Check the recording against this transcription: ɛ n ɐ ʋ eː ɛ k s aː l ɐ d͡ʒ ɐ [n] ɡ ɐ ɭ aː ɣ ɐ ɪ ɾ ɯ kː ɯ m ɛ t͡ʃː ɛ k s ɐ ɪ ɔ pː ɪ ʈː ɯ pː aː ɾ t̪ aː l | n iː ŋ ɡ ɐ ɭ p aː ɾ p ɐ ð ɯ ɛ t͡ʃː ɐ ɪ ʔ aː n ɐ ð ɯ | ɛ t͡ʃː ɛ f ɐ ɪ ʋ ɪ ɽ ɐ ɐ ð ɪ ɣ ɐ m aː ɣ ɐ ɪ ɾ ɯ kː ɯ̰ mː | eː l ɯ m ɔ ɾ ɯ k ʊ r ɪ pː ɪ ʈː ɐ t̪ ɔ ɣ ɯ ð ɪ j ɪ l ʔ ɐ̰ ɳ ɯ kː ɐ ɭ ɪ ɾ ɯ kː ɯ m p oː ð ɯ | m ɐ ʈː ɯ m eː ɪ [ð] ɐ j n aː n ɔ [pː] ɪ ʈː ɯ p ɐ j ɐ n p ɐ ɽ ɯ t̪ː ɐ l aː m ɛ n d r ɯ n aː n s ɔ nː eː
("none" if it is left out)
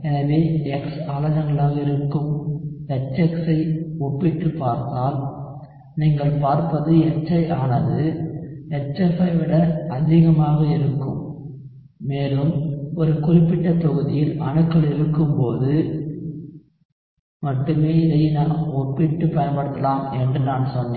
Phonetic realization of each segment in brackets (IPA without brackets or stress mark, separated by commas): ŋ, ð, pː